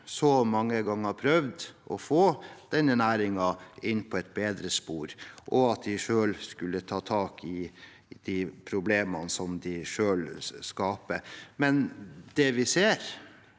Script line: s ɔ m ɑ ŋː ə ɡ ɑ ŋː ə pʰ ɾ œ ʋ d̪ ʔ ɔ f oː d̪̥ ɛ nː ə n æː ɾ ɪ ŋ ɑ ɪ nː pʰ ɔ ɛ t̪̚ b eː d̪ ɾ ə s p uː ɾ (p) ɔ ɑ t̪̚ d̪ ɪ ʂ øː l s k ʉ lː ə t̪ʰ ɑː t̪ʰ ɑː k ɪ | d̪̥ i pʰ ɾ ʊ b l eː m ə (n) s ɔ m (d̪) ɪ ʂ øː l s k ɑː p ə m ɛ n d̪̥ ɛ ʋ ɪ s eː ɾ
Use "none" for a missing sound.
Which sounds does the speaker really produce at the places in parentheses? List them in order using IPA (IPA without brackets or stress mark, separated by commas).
ʔ, n, d̪